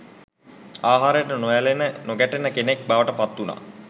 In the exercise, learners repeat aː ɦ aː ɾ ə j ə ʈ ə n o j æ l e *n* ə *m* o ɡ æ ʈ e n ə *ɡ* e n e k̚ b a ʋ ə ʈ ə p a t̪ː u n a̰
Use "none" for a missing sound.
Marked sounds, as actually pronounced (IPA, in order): n, n, k

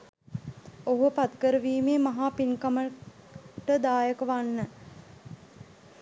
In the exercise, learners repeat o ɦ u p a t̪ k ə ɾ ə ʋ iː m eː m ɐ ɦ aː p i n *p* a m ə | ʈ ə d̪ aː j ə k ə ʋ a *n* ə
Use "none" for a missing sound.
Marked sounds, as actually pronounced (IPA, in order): k, nː

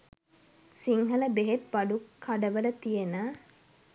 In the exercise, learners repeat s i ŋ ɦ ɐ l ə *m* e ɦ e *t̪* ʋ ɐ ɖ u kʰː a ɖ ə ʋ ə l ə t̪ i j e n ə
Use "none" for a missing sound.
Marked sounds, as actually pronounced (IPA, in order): b, t̪

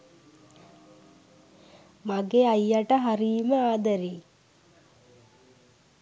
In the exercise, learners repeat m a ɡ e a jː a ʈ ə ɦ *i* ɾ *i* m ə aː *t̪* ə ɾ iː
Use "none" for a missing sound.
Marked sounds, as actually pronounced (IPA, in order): a, iː, d̪

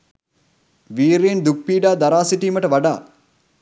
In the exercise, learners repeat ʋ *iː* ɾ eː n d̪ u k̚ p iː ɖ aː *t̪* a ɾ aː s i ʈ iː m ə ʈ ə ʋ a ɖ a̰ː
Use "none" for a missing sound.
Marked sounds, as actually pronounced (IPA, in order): iː, d̪

